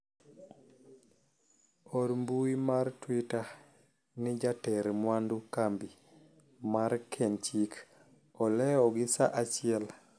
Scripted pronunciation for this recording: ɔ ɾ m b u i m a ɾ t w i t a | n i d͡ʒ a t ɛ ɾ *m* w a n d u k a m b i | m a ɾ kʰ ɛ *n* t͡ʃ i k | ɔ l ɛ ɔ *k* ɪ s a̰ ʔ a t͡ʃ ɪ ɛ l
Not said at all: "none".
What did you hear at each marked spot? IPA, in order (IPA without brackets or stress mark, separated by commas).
m, n, ɡ